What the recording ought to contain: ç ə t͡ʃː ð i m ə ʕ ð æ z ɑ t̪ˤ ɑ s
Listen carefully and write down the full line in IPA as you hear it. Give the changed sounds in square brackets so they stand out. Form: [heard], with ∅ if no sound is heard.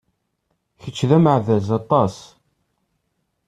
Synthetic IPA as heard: ç ə t͡ʃː ð [æ] m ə ʕ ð æ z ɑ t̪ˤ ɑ s